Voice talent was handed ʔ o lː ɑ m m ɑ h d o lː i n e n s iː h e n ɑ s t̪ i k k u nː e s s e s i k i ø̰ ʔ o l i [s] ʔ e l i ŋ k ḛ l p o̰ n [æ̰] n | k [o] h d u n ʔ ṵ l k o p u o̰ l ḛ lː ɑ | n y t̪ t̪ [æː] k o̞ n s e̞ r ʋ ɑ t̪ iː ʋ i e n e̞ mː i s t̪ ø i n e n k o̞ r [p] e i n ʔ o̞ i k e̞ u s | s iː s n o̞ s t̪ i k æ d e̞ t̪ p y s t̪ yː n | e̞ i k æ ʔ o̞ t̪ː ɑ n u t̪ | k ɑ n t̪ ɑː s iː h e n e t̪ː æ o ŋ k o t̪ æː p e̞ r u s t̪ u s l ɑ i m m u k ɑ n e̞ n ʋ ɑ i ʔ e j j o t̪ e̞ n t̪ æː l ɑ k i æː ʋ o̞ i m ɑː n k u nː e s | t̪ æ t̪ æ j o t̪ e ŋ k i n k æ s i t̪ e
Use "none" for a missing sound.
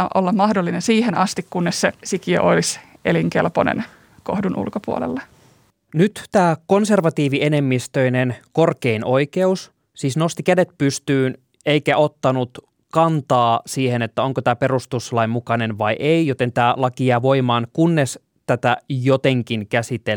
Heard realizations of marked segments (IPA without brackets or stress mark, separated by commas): s, ḛ, o, æː, k